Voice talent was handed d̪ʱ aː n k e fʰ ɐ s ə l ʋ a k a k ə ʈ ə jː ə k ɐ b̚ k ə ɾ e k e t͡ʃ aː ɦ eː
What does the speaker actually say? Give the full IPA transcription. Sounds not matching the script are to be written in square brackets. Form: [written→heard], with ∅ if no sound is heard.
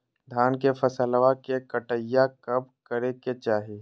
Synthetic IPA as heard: d̪ʱ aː n k e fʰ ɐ s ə l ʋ a k [a→e] k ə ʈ ə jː [ə→a] k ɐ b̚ k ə ɾ e k e t͡ʃ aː ɦ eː